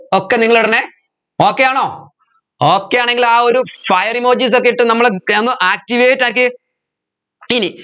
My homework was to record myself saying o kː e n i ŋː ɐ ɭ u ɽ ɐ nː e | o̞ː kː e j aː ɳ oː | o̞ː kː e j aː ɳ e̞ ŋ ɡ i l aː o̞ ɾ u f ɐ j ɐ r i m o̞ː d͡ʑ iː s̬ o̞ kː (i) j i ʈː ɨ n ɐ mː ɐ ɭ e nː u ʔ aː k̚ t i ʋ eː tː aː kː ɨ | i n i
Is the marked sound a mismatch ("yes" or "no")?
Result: yes